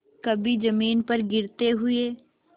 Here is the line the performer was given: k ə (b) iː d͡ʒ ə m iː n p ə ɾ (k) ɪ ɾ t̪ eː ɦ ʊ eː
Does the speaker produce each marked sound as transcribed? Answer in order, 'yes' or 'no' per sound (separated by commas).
yes, no